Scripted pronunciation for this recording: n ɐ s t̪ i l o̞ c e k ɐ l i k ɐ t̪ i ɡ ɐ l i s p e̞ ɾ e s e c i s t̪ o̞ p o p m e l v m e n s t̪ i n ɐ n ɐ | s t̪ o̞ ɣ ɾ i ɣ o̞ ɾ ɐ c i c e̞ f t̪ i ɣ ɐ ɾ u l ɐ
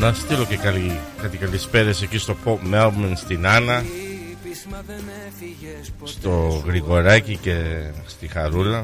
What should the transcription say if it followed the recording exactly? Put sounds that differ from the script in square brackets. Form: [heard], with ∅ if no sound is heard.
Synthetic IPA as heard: n ɐ s t̪ i l o̞ c e k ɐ l i k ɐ t̪ i [k] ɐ l i s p e̞ ɾ e s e c i s t̪ o̞ p o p m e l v m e n s t̪ i n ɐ n ɐ | s t̪ o̞ ɣ ɾ i ɣ o̞ ɾ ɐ c i c e̞ [s] t̪ i [x] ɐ ɾ u l ɐ